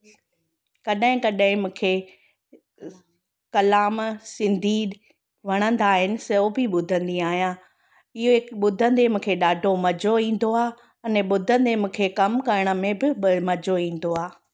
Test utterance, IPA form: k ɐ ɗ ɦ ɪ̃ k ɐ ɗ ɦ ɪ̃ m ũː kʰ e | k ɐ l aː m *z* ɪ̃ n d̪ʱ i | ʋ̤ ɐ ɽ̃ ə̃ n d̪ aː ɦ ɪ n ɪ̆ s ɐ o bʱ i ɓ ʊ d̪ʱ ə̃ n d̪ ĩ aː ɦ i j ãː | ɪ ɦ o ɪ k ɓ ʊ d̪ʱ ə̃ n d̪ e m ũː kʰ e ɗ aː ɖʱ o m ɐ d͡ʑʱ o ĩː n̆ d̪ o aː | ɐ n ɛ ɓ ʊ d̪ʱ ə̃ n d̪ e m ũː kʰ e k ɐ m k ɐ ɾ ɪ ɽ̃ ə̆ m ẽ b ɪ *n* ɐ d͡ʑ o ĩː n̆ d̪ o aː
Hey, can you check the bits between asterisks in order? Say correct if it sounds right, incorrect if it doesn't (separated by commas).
incorrect, incorrect